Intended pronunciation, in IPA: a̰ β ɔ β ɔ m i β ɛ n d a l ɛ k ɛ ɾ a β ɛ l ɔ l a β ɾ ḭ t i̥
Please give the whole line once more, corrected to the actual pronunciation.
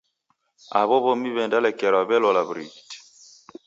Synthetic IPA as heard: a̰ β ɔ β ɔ m i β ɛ n d a l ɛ k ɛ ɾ a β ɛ l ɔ l a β ɾ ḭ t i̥